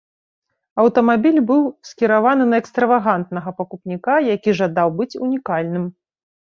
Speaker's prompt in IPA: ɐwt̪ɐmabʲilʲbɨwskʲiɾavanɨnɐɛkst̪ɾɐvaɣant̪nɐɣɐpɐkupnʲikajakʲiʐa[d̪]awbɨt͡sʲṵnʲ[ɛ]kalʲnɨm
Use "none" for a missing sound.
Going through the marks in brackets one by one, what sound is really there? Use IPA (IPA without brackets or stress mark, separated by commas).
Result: d̪, i